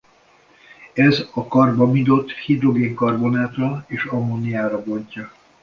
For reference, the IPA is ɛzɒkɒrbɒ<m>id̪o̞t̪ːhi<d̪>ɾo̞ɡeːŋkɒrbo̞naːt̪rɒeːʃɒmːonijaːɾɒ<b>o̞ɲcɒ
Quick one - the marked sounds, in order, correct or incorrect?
correct, correct, correct

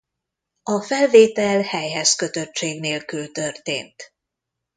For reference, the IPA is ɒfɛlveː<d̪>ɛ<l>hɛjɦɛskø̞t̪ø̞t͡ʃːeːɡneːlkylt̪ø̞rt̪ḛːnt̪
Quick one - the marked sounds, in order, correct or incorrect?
incorrect, correct

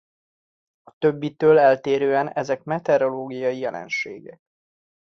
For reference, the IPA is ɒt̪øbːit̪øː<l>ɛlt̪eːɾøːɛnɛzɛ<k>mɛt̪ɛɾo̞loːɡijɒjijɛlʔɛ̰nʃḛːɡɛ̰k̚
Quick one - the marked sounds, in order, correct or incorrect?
correct, correct

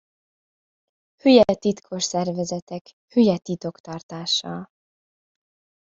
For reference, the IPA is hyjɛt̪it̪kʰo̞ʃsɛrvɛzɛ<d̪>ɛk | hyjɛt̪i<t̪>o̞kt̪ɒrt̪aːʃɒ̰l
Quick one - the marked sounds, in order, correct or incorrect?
incorrect, correct

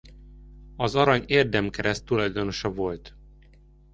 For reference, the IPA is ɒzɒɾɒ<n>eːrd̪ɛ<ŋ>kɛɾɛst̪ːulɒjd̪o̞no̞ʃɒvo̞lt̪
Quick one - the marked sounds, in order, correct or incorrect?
incorrect, incorrect

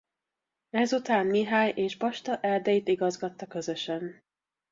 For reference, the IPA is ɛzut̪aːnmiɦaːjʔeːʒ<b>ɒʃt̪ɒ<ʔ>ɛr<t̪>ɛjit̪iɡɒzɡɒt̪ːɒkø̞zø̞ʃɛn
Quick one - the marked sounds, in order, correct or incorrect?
correct, correct, incorrect

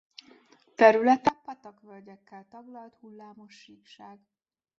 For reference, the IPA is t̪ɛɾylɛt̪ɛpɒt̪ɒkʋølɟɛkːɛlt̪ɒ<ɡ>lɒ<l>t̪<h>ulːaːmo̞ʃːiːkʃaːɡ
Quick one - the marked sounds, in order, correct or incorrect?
correct, correct, correct

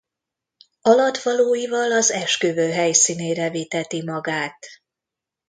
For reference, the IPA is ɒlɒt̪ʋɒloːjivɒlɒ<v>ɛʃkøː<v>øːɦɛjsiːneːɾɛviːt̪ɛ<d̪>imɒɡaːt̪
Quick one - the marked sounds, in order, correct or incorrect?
incorrect, correct, incorrect

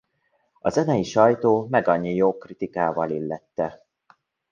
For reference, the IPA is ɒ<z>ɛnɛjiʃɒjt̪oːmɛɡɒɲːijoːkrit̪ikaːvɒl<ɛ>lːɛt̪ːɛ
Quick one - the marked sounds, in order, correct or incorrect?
correct, incorrect

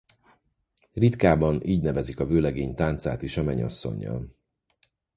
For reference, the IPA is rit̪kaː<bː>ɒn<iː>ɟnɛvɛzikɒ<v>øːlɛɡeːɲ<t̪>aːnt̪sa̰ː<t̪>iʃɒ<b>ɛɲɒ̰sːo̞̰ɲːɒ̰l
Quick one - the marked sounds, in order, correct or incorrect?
incorrect, correct, correct, correct, correct, incorrect

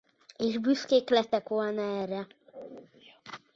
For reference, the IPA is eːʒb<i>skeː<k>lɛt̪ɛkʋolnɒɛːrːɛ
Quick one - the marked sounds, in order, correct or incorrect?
incorrect, correct

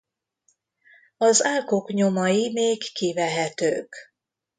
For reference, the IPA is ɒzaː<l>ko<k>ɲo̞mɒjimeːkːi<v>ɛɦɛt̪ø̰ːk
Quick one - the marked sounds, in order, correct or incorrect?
correct, correct, correct

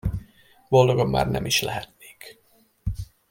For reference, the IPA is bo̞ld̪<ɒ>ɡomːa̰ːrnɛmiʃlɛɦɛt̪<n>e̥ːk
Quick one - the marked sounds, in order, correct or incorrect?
incorrect, correct

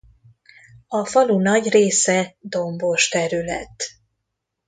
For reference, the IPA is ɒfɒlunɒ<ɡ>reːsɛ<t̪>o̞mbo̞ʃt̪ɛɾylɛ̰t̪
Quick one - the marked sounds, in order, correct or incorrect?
incorrect, incorrect

